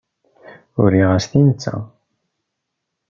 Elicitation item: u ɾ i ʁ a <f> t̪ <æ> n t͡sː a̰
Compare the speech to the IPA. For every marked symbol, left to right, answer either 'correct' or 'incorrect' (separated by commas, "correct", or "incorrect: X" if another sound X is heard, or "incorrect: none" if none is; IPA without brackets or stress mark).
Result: incorrect: s, incorrect: i